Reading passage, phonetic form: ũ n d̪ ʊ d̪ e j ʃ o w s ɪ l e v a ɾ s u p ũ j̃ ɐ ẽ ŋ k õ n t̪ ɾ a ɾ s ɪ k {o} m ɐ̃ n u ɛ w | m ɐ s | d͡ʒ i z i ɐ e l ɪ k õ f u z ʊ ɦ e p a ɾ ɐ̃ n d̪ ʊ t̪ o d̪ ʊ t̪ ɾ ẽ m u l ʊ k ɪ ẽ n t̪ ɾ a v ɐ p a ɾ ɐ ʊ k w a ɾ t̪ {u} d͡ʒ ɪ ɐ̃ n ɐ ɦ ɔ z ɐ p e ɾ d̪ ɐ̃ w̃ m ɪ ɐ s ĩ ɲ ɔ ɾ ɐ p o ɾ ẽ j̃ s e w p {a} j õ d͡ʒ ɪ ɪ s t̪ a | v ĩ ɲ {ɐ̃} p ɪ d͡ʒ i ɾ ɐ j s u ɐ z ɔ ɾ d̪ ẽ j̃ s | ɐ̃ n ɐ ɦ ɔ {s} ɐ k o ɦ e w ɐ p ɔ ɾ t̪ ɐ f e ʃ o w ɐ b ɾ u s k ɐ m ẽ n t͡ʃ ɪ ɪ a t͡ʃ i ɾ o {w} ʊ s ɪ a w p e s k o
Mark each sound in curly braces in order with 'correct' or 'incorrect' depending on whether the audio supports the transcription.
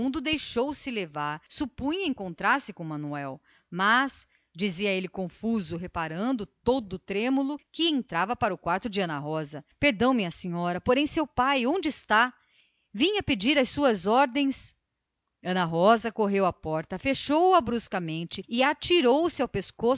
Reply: incorrect: õ, incorrect: ʊ, correct, incorrect: ɐ, incorrect: z, correct

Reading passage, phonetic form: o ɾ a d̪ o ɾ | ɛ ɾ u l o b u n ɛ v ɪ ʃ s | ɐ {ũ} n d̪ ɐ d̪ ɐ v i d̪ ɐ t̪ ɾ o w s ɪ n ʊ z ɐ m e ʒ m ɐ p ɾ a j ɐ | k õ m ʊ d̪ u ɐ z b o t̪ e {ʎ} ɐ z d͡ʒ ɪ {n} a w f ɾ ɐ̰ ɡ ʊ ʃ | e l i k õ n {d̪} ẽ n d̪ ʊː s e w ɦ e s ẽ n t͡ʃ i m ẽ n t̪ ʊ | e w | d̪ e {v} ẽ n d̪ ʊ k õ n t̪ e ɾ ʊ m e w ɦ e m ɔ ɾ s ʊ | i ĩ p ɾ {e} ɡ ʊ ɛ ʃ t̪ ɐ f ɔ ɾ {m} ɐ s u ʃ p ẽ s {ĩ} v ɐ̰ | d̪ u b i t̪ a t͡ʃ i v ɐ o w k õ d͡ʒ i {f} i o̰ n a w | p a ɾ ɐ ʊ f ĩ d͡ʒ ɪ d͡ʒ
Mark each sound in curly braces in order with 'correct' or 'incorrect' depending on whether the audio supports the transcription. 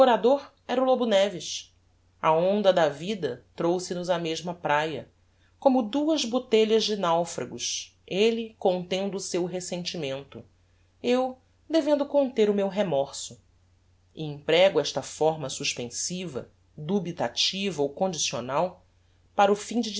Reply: incorrect: õ, correct, correct, incorrect: t̪, correct, incorrect: ɛ, correct, incorrect: i, incorrect: s

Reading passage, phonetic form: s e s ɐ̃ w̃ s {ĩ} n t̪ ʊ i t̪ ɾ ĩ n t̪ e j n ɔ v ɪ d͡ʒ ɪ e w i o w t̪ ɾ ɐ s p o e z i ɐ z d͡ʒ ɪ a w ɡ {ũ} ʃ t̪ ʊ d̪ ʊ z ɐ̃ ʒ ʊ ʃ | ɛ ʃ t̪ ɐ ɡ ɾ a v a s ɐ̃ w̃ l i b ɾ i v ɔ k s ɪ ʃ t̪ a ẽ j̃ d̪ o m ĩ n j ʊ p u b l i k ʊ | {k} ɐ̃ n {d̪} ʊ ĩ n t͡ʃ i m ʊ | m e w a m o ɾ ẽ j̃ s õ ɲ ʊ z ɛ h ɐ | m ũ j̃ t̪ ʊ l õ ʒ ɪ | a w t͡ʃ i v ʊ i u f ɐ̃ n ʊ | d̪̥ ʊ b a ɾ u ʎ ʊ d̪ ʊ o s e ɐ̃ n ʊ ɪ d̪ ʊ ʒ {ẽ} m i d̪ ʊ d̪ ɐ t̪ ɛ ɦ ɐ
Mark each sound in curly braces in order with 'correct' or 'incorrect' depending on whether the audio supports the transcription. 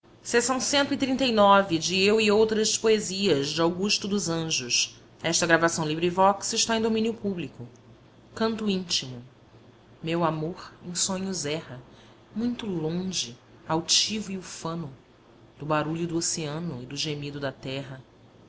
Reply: incorrect: ẽ, incorrect: u, correct, incorrect: t̪, incorrect: e

